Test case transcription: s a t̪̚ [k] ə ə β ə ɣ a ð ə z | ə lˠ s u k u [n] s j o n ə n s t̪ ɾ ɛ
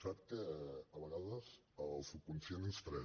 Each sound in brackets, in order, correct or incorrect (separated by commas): correct, correct